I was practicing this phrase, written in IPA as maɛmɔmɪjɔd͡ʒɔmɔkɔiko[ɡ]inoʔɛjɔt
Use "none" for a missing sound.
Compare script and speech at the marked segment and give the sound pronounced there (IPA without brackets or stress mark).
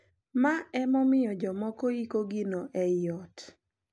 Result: ɡ